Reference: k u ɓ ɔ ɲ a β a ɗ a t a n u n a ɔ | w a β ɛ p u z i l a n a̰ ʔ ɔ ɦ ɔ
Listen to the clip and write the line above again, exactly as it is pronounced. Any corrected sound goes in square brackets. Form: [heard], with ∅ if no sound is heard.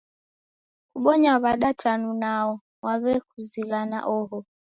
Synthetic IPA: k u ɓ ɔ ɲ a β a ɗ a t a n u n a ɔ | w a β ɛ [k] u z i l a n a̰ ʔ ɔ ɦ ɔ